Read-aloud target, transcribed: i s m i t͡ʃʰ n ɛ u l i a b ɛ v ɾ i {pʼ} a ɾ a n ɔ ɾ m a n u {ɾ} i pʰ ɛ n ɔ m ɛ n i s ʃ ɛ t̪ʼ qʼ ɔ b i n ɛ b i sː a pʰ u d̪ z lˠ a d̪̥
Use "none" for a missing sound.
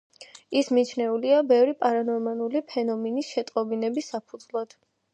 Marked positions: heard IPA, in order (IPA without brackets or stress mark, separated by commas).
pʼ, l